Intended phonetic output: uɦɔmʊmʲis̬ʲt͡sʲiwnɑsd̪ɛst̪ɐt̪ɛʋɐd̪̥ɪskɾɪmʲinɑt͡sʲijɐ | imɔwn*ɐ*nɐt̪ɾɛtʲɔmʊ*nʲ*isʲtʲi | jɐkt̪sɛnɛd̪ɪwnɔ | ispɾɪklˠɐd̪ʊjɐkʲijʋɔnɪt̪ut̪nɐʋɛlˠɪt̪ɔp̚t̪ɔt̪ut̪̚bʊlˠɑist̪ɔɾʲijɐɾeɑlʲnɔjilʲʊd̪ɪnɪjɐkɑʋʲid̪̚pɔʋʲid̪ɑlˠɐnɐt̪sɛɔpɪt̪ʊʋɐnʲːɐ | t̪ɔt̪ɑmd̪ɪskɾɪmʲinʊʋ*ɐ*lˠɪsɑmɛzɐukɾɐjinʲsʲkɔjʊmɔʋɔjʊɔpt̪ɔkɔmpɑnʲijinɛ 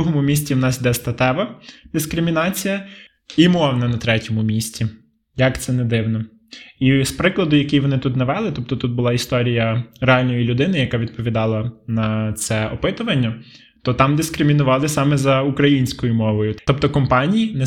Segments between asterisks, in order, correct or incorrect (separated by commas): correct, incorrect, incorrect